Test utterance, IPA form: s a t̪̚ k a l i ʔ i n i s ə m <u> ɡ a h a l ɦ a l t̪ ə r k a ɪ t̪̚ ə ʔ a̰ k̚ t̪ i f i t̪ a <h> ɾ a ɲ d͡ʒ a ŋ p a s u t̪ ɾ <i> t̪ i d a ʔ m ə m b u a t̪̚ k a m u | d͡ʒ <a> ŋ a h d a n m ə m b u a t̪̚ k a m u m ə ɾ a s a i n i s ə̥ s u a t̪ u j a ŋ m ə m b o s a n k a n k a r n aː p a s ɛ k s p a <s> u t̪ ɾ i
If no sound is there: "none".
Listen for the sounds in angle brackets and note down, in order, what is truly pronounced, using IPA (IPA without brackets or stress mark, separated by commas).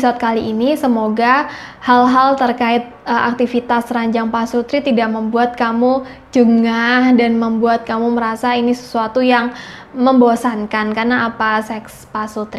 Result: o, s, i, ə, s